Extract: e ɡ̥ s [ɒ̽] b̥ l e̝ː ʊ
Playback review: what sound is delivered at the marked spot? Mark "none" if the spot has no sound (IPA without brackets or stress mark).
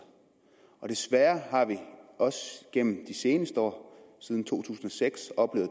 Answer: ɒ̽